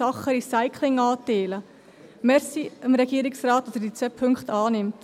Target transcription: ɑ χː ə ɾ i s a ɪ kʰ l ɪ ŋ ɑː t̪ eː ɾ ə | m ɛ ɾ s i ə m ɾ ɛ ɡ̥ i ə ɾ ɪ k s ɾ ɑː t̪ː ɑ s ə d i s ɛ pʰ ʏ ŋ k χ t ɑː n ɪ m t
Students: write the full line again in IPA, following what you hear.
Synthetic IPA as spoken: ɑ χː ə ɾ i s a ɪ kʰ l ɪ ŋ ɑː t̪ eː l ə | m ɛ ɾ s i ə m ɾ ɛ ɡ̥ i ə ɾ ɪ k s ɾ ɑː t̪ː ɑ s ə d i t͡s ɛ pʰ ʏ ŋ k χ t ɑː n ɪ m t